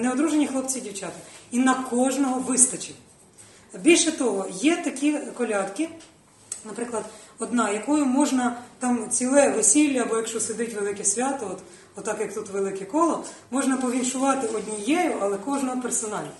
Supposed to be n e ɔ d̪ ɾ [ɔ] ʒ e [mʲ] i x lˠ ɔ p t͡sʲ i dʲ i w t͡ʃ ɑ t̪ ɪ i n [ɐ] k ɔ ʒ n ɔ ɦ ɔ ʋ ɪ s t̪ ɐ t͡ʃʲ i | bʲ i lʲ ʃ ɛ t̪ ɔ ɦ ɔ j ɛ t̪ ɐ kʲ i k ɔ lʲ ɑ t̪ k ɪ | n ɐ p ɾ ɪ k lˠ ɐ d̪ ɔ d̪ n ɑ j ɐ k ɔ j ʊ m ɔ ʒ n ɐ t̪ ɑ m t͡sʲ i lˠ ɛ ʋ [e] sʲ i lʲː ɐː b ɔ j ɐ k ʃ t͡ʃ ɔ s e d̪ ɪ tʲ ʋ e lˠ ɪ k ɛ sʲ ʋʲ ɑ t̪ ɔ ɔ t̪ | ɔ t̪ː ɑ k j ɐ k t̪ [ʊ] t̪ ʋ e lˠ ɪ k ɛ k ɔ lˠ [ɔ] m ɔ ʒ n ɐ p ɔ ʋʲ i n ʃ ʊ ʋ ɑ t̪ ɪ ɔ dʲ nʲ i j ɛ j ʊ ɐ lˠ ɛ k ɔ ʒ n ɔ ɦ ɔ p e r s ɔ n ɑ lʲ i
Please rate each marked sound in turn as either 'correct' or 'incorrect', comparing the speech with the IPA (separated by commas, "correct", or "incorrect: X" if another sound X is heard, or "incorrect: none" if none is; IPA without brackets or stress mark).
incorrect: u, incorrect: nʲ, correct, correct, incorrect: u, correct